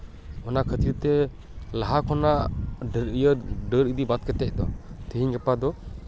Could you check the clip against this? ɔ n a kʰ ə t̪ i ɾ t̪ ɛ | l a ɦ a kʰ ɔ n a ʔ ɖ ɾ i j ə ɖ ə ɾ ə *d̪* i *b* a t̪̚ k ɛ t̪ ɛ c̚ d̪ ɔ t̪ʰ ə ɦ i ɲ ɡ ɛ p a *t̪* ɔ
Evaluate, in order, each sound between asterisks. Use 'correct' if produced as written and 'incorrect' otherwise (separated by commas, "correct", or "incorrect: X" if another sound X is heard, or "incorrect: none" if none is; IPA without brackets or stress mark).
correct, correct, incorrect: d̪